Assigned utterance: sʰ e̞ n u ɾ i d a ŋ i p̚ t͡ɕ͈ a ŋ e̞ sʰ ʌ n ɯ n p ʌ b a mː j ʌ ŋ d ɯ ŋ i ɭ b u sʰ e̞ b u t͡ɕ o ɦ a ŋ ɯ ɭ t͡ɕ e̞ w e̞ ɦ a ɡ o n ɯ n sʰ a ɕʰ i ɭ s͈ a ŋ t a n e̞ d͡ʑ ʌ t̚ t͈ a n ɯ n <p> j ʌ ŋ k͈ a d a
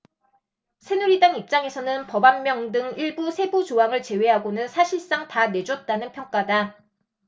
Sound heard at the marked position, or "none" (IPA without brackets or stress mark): pʰ